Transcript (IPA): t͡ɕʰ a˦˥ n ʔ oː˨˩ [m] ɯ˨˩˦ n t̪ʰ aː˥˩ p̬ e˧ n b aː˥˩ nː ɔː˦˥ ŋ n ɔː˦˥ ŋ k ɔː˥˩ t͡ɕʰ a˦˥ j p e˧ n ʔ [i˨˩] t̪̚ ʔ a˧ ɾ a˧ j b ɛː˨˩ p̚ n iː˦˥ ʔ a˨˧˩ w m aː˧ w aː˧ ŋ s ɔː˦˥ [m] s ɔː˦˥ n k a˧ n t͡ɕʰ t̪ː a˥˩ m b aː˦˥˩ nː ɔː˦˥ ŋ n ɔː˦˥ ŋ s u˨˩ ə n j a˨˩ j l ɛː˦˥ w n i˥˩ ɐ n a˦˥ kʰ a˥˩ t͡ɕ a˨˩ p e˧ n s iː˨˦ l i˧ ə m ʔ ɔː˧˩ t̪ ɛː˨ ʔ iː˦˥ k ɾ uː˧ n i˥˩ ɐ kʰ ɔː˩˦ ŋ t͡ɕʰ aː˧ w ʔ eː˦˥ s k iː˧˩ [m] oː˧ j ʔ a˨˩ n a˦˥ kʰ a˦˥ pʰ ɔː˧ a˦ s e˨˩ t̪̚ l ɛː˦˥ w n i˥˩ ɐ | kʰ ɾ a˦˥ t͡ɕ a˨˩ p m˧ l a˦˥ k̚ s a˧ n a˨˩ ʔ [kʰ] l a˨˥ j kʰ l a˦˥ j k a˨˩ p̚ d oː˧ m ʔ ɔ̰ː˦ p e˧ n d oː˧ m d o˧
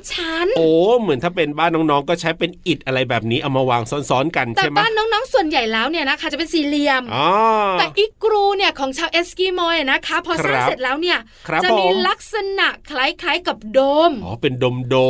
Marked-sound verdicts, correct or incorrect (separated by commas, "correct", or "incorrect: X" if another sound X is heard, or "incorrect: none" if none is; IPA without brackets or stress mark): correct, correct, incorrect: n, correct, correct